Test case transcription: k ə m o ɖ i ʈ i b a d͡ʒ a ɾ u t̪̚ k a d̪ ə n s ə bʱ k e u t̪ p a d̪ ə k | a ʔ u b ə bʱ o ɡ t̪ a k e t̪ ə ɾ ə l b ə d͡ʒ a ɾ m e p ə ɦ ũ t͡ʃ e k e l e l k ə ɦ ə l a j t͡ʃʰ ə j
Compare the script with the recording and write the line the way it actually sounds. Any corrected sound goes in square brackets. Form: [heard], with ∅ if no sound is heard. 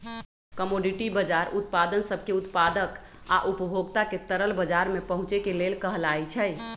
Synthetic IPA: k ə m o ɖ i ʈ i b [ə] d͡ʒ a ɾ u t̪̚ [p] a d̪ ə n s ə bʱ k e u t̪ p a d̪ ə k | a ʔ u [p] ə bʱ o ɡ t̪ a k e t̪ ə ɾ ə l b ə d͡ʒ a ɾ m e p ə ɦ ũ t͡ʃ e k e l e l k ə ɦ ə l a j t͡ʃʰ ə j